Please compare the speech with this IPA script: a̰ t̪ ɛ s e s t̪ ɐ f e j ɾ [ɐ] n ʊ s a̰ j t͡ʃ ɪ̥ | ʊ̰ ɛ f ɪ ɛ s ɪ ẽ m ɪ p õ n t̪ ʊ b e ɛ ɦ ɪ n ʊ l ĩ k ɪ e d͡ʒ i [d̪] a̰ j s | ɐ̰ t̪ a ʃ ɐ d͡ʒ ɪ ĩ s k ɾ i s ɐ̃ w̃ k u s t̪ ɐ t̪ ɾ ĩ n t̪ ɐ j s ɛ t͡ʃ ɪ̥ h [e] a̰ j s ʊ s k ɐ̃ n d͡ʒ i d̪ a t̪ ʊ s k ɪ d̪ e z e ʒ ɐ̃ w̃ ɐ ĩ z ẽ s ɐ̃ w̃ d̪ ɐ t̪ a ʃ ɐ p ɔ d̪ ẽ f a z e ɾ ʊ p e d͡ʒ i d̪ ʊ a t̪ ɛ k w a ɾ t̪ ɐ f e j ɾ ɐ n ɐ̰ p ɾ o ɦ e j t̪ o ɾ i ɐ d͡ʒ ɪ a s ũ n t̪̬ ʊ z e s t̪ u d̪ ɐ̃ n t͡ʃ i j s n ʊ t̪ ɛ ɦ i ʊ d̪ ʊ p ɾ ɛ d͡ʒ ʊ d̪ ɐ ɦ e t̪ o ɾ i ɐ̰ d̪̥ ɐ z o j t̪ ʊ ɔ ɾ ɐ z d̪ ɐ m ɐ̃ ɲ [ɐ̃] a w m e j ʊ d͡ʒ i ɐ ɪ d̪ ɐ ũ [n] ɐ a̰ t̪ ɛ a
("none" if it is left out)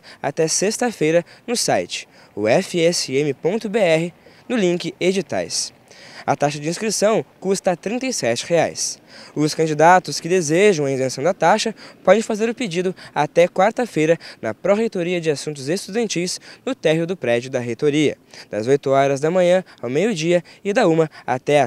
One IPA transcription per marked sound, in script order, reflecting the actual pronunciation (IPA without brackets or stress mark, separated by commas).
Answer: ɐ, t̪, e, ɐ̃, m